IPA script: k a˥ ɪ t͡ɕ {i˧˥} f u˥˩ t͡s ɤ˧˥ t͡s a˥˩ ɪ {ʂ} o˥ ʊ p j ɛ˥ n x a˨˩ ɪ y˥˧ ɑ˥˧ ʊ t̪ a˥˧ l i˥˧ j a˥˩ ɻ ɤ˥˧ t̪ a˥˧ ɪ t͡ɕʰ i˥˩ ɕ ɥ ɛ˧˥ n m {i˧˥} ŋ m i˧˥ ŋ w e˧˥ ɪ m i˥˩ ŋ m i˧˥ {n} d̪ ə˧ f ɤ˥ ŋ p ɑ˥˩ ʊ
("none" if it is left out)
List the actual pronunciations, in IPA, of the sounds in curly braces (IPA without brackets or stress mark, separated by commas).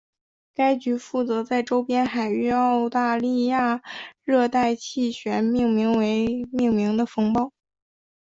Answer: y˧˥, ʈ͡ʂ, i˥˩, ŋ